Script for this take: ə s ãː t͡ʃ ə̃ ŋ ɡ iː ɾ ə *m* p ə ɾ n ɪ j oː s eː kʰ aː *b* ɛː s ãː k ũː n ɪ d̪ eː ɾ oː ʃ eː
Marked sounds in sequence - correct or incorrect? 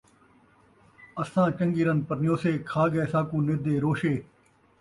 incorrect: n, incorrect: ɡ

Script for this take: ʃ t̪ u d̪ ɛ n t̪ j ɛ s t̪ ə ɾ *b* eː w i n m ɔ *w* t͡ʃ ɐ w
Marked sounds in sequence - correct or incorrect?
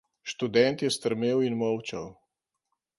incorrect: m, correct

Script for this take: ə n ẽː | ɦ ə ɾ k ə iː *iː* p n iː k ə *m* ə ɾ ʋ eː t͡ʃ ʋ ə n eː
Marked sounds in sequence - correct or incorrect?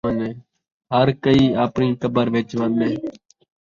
incorrect: aː, incorrect: b

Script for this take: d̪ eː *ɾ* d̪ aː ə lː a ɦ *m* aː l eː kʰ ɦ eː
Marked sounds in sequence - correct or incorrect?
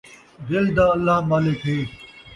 incorrect: l, correct

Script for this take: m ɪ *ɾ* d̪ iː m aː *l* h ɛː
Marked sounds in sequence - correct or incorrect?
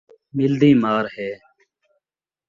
incorrect: l, incorrect: ɾ

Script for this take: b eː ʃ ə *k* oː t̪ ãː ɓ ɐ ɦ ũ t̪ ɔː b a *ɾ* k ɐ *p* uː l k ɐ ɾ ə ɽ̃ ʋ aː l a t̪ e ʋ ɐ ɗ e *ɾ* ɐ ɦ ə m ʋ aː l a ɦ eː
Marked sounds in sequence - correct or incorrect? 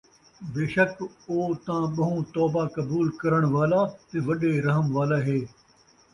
correct, incorrect: none, incorrect: b, correct

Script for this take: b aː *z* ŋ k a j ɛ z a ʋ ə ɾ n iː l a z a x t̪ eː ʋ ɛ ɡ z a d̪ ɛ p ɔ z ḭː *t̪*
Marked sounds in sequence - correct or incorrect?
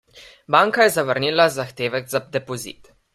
incorrect: none, correct

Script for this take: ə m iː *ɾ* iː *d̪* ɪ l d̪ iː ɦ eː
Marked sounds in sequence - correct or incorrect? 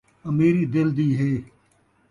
correct, correct

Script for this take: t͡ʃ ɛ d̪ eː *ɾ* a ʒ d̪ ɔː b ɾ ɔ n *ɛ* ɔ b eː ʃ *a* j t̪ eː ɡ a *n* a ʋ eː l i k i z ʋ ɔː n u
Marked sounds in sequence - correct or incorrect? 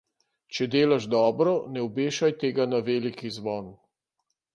incorrect: l, correct, correct, correct

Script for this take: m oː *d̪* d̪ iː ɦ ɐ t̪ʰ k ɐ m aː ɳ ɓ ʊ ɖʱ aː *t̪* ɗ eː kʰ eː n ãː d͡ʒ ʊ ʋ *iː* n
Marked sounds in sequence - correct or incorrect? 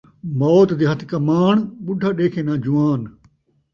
incorrect: t̪, incorrect: none, incorrect: aː

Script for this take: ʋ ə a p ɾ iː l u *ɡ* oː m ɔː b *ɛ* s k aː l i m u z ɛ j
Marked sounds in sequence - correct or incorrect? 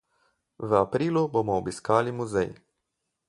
incorrect: b, incorrect: i

